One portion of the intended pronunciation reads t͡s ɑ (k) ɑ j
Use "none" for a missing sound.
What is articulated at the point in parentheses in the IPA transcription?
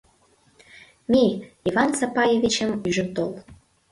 p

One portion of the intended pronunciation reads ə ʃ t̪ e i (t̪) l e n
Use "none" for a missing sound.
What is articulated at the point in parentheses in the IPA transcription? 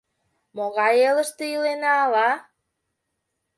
none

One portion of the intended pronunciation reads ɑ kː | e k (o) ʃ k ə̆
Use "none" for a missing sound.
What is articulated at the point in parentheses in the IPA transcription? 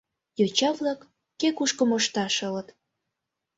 u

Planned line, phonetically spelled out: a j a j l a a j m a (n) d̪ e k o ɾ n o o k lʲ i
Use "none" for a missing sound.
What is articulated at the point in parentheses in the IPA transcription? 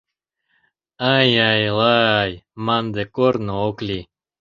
n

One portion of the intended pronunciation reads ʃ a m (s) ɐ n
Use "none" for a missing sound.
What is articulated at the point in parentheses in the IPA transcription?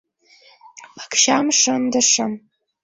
ʂ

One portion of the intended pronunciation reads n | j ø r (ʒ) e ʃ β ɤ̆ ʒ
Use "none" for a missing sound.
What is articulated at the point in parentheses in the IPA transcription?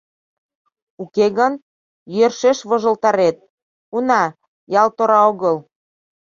ʃ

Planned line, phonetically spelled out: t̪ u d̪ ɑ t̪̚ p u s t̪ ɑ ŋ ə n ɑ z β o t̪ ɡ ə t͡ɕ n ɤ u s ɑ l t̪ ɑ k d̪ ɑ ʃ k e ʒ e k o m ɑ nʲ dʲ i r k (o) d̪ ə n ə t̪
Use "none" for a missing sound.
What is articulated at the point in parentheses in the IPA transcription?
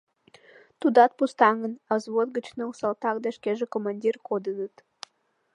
o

